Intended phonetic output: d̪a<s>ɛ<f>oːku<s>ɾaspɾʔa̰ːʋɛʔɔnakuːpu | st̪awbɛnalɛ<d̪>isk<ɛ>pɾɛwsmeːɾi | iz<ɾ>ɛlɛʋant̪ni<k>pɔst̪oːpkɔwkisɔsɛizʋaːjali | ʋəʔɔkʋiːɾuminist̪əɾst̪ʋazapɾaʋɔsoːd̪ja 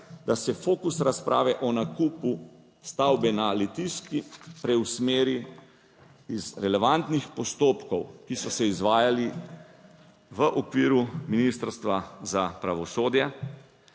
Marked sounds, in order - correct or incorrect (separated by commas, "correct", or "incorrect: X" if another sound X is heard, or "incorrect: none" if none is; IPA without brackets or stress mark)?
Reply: correct, correct, correct, incorrect: t̪, incorrect: i, correct, incorrect: x